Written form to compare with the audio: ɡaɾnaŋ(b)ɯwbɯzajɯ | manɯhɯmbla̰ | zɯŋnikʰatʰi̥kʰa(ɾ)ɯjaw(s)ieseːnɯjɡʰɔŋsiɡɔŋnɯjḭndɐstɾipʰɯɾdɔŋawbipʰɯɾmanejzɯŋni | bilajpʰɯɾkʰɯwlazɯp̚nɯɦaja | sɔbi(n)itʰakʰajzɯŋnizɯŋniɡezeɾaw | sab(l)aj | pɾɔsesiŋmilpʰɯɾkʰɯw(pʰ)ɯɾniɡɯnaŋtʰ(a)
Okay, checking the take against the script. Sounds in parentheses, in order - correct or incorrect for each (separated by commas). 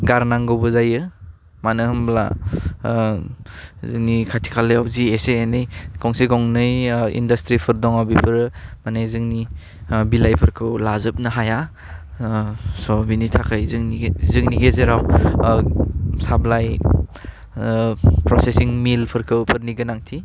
incorrect, incorrect, incorrect, correct, correct, correct, incorrect